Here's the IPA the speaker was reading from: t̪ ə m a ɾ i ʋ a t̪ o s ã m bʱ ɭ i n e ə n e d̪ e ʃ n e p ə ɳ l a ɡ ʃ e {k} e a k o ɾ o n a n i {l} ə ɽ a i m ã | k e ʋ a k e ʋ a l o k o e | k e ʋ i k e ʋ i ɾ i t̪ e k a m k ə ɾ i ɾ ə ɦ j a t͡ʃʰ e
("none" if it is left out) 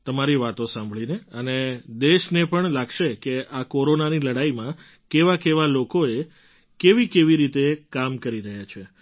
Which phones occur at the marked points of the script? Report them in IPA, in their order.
k, l

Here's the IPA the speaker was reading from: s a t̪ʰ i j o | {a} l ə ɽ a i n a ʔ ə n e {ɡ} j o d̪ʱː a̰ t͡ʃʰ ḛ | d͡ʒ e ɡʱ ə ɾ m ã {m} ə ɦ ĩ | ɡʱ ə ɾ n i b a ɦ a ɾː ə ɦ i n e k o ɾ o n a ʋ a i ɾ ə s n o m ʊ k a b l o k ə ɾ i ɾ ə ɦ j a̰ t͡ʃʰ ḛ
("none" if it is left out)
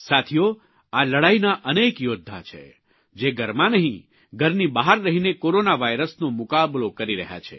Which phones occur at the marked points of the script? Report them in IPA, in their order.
a, k, n

